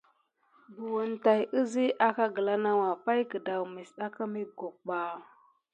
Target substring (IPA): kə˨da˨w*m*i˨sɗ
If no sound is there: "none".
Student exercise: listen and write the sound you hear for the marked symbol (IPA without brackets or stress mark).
m